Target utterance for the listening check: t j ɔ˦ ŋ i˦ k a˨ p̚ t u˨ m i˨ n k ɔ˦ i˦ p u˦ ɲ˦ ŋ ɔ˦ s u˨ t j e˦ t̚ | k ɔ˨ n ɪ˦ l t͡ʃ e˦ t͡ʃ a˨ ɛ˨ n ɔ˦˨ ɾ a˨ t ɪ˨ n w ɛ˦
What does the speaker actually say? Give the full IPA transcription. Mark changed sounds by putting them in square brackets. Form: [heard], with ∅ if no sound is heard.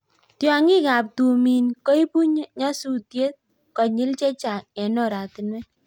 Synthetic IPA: t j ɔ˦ ŋ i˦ k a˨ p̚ t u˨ m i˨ n k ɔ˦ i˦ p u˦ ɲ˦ [ɲ] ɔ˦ s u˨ t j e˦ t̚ | k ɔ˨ [ɲ] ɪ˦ l t͡ʃ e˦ t͡ʃ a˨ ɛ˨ n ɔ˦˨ ɾ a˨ t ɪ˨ n w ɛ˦